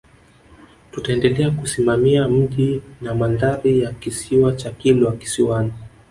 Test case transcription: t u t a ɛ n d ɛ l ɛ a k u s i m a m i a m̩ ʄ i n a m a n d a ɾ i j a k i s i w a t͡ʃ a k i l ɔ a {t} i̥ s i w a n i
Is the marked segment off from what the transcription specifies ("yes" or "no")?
yes